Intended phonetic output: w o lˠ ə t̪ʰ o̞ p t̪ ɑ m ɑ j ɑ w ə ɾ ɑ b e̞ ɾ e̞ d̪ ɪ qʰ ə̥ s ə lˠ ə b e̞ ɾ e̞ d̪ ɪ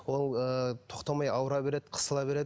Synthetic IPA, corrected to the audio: w o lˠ ə t̪ʰ o̞ q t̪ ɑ m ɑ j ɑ w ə ɾ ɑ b e̞ ɾ e̞ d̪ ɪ qʰ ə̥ s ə lˠ ɑ b e̞ ɾ e̞ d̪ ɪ